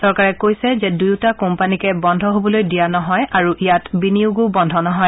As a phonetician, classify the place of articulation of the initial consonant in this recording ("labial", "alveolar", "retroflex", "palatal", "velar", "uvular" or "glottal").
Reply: alveolar